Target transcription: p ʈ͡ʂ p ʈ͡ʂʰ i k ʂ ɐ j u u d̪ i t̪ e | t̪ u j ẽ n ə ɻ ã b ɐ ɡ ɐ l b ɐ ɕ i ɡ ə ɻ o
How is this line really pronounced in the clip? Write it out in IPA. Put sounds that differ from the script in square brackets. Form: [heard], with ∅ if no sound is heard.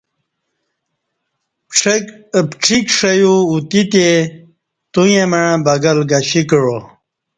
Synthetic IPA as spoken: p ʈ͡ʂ p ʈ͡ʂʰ i k ʂ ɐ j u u [t̪] i t̪ e | t̪ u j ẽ [m] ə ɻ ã b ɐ ɡ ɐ l [ɡ] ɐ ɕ i [k] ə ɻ o